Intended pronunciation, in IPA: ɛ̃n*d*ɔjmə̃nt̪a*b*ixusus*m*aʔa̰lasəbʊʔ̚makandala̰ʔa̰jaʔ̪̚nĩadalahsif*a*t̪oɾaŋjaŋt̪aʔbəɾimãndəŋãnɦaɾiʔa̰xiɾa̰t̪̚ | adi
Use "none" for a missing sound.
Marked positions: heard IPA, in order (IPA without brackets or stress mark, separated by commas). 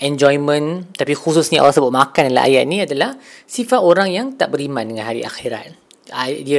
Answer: d͡ʒ, p, ɲ, a